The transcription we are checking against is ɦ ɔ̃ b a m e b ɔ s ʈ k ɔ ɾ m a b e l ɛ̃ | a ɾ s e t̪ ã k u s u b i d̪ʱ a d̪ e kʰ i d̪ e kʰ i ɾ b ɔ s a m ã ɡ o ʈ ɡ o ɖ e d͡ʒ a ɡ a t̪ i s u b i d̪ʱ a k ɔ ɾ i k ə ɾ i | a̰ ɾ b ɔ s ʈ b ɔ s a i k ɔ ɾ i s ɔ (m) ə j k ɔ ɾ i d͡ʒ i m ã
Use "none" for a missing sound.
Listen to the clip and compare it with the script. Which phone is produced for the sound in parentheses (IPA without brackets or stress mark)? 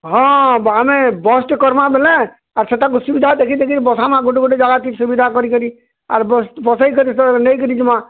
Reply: n